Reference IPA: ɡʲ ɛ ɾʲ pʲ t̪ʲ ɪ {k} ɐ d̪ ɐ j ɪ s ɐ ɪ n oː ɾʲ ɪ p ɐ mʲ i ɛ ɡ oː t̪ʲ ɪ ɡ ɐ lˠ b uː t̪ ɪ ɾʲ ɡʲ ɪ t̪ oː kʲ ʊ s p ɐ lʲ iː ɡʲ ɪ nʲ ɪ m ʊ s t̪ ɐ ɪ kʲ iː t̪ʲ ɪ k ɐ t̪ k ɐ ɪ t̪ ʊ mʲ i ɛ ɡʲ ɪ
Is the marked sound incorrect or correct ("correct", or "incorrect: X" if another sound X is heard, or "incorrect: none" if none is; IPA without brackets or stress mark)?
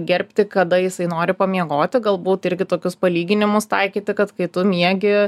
correct